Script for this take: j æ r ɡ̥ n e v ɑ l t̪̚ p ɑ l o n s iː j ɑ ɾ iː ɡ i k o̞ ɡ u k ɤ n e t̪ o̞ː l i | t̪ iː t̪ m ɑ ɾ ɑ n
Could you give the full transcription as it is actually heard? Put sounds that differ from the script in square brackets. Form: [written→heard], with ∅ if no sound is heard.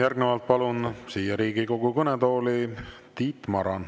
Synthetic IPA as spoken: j æ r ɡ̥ n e v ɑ l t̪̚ p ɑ l [o→u] n s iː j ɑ ɾ iː ɡ i k o̞ ɡ u k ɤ n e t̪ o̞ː l i | t̪ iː t̪ m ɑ ɾ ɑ n